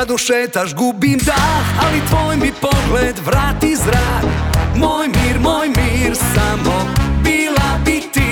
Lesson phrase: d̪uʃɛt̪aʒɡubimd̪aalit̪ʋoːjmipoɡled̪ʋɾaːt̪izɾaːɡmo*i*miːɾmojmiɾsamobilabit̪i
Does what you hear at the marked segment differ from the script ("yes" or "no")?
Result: yes